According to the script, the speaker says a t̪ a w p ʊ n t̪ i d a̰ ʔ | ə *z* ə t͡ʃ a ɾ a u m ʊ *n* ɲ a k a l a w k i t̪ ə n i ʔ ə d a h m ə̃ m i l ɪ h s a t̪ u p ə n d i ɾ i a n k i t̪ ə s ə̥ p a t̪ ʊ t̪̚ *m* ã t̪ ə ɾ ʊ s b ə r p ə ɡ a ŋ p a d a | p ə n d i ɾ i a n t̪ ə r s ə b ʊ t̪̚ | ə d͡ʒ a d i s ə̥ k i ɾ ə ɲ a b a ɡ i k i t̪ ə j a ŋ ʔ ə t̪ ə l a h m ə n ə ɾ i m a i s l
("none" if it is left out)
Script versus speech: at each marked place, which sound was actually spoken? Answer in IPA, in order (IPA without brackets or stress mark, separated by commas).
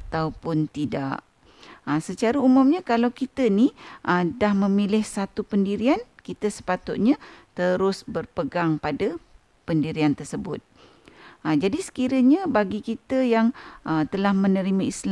s, m, ɲ